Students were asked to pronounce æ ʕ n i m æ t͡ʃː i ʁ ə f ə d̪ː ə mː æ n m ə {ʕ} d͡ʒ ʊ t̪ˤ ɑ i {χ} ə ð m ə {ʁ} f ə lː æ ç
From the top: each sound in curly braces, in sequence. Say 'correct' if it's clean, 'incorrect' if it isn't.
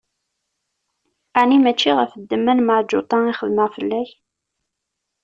correct, correct, correct

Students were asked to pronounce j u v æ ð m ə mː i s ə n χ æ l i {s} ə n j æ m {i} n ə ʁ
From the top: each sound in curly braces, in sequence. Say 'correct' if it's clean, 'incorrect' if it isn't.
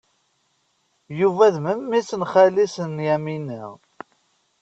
correct, correct

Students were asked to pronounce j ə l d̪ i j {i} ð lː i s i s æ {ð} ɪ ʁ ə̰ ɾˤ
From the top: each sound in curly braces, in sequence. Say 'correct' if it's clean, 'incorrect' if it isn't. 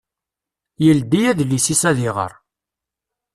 incorrect, correct

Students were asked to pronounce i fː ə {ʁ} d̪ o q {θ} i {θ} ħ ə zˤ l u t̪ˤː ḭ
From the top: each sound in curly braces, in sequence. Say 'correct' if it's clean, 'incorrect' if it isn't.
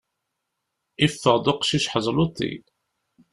correct, incorrect, incorrect

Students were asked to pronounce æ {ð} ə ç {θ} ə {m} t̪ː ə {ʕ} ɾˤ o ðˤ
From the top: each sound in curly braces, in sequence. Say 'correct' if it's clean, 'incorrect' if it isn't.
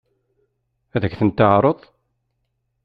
correct, correct, incorrect, correct

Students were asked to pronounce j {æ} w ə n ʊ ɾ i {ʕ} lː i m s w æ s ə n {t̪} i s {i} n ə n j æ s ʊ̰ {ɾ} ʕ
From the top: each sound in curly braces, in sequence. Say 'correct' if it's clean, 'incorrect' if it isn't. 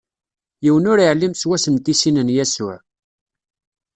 incorrect, correct, correct, correct, incorrect

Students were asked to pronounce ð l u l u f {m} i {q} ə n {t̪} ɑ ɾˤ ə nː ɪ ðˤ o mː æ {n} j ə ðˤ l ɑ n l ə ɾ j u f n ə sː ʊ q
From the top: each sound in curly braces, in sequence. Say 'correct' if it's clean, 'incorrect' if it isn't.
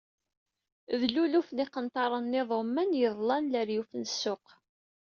incorrect, correct, correct, correct

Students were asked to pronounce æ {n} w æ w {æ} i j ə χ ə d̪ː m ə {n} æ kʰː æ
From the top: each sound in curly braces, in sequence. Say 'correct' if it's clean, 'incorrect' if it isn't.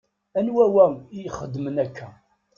correct, correct, correct

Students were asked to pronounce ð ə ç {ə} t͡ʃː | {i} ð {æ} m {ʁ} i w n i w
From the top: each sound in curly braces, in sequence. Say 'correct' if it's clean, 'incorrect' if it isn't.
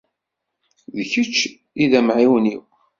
correct, correct, correct, incorrect

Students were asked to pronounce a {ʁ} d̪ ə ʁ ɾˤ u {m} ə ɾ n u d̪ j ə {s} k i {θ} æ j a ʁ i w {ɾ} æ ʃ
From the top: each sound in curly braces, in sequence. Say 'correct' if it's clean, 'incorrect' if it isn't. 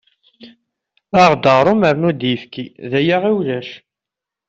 correct, correct, incorrect, incorrect, incorrect

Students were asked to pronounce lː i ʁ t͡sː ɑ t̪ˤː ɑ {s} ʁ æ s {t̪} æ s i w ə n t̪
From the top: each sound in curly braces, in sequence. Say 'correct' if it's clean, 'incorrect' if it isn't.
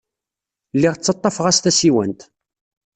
incorrect, correct

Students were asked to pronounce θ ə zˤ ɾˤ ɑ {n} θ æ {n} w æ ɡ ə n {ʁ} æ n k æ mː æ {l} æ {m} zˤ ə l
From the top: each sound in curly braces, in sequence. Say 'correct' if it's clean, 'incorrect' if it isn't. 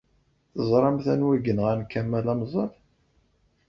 incorrect, correct, correct, correct, correct

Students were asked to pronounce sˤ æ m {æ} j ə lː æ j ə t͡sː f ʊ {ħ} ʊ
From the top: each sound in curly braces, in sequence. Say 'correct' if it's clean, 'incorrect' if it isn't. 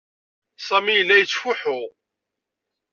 incorrect, correct

